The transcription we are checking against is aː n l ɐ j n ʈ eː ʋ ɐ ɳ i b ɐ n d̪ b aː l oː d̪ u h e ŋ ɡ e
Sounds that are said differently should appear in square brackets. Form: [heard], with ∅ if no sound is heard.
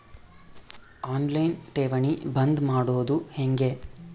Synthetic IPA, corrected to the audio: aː n l ɐ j n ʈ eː ʋ ɐ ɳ i b ɐ n d̪ [m] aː [ɽ] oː d̪ u h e ŋ ɡ e